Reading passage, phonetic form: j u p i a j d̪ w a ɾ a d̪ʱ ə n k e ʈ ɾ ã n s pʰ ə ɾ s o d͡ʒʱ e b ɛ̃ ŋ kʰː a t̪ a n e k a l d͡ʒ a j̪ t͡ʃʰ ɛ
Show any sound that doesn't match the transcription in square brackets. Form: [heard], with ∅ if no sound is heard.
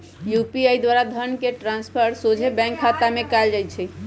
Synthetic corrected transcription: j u p i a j d̪ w a ɾ a d̪ʱ ə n k e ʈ ɾ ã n s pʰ ə ɾ s o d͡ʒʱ e b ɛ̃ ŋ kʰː a t̪ a [m] e k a l d͡ʒ a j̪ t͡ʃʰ ɛ

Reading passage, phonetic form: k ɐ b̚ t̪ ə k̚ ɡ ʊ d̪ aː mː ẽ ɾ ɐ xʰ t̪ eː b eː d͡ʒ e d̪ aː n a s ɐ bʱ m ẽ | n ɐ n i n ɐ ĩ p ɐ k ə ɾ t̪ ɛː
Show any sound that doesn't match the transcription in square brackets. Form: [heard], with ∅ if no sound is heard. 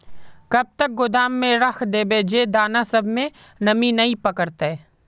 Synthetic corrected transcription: k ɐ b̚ t̪ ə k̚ ɡ ʊ d̪ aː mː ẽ ɾ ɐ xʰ [d̪] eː b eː d͡ʒ e d̪ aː n a s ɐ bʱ m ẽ | n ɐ [m] i n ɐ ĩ p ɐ k ə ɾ t̪ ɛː

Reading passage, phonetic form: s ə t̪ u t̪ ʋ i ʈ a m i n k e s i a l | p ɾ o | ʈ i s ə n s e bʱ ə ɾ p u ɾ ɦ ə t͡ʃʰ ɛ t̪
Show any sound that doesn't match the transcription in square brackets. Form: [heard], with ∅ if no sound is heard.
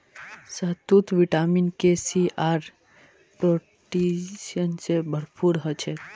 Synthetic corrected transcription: s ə t̪ u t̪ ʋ i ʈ a m i n k e s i a [ɾ] | p ɾ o | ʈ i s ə n s e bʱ ə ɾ p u ɾ ɦ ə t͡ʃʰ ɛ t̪

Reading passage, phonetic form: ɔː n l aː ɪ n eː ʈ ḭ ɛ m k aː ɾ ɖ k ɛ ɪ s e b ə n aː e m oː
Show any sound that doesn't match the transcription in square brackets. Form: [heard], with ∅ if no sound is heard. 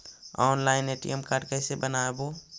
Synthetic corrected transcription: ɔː n l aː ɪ n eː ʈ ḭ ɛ m k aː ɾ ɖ k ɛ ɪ s e b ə n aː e [b] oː

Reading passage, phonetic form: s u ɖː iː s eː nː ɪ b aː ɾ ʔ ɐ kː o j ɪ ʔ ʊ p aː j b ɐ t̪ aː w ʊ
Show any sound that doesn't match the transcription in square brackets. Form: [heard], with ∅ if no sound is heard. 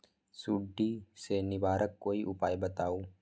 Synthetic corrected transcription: s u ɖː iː s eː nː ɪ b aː ɾ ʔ ɐ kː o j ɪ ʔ ʊ p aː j b ɐ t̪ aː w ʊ

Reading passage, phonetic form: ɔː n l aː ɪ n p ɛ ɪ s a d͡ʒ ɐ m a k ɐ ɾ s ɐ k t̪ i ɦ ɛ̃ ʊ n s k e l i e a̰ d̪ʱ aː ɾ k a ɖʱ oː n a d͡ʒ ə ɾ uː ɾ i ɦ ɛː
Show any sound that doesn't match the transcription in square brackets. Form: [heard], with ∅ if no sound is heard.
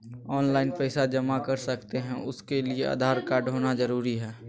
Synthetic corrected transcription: ɔː n l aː ɪ n p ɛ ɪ s a d͡ʒ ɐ m a k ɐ ɾ s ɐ k t̪ [e] ɦ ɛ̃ ʊ [∅] s k e l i e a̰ d̪ʱ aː ɾ k a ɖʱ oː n a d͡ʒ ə ɾ uː ɾ i ɦ ɛː

